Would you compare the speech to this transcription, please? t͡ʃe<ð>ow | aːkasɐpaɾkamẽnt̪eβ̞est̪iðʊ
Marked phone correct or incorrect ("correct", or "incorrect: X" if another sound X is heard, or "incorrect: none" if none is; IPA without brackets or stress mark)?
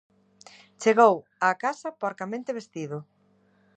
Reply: incorrect: ɣ